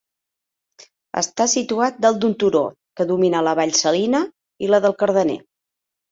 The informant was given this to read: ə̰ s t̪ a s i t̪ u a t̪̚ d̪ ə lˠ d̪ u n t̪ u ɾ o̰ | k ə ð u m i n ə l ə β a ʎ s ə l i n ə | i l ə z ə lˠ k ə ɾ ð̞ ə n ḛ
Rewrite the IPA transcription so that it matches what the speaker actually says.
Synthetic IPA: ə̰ s t̪ a s i t̪ u a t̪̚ d̪ ə lˠ d̪ u n t̪ u ɾ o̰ | k ə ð u m i n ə l ə β a ʎ s ə l i n ə | i l ə ð ə lˠ k ə ɾ ð̞ ə n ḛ